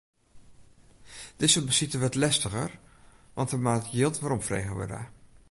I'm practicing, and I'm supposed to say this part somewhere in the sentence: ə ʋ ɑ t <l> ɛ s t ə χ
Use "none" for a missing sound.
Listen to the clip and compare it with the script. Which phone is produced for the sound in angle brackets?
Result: l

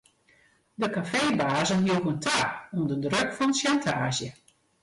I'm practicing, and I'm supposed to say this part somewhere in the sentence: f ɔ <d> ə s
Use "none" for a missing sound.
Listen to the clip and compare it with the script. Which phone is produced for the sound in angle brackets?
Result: n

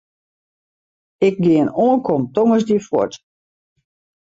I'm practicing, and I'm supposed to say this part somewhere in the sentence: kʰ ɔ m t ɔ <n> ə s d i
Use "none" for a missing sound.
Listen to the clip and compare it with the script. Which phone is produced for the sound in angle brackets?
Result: ŋ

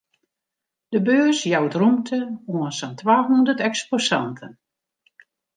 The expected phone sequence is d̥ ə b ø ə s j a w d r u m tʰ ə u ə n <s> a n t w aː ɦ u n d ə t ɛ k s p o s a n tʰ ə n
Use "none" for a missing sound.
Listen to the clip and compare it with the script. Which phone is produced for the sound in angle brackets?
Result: s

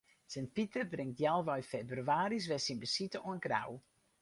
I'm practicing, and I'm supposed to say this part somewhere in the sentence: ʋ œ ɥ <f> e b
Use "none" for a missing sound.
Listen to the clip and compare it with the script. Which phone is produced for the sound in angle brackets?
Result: f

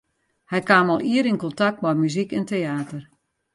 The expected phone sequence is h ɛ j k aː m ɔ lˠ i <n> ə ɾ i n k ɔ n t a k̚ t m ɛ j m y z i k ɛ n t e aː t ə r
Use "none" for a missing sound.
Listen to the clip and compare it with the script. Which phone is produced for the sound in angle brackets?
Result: none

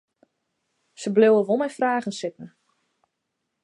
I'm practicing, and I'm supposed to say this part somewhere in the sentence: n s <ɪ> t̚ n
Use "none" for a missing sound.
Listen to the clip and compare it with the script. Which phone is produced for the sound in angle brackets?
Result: ɪ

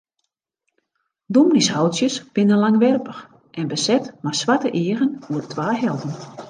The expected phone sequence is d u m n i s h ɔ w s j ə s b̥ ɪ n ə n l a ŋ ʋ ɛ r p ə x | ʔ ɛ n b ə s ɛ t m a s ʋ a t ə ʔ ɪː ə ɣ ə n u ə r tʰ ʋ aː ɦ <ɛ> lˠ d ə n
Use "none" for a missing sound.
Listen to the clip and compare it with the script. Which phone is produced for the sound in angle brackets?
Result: ɛ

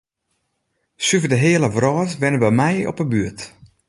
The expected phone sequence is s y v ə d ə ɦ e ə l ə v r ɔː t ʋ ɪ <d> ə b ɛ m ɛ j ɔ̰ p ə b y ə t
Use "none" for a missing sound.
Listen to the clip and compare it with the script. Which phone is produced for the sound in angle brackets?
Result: n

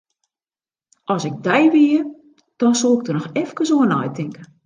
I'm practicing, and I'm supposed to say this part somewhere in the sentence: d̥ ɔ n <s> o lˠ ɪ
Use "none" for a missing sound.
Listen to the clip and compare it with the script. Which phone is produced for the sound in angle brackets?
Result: s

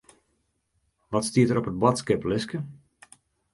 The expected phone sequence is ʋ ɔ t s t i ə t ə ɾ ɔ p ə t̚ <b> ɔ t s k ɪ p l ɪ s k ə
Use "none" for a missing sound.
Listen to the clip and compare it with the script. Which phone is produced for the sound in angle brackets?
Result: b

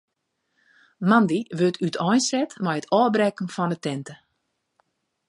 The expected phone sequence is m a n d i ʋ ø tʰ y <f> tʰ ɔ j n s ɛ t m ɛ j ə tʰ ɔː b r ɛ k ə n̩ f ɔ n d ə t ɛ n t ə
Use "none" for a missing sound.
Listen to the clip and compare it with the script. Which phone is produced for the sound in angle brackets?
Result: none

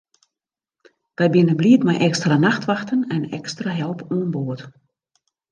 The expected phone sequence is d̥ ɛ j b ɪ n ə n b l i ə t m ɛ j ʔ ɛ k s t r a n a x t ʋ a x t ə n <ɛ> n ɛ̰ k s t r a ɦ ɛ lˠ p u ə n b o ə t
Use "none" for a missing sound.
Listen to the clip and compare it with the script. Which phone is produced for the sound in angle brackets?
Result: ɛ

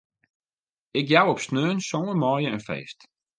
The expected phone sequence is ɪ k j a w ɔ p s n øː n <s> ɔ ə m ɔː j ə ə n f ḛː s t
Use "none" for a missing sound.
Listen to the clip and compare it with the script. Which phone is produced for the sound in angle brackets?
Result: s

